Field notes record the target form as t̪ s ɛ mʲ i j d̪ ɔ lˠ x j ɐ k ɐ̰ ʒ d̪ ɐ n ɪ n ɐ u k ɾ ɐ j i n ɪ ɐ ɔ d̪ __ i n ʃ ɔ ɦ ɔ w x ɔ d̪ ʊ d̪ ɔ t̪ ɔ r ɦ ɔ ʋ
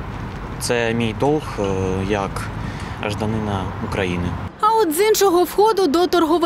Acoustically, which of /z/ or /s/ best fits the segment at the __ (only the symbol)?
z